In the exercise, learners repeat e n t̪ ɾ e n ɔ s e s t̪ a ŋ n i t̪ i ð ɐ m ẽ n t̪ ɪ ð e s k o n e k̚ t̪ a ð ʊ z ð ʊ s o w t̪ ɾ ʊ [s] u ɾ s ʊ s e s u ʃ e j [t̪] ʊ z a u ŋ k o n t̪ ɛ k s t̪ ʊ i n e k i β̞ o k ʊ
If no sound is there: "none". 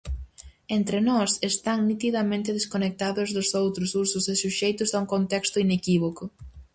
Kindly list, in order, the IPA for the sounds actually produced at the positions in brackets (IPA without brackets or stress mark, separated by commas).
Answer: s, t̪